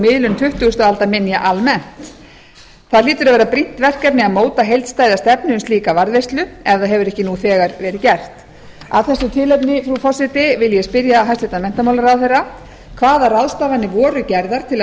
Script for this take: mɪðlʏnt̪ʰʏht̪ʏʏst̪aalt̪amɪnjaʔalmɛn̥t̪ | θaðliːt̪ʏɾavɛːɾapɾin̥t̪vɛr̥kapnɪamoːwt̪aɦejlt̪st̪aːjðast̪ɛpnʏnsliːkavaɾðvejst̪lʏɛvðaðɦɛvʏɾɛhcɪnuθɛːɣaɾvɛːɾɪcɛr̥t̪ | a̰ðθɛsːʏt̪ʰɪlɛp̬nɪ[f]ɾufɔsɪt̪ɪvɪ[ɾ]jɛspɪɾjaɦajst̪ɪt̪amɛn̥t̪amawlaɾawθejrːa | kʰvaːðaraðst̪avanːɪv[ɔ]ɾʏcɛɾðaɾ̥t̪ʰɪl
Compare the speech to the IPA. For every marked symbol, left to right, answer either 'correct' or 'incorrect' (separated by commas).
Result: correct, incorrect, incorrect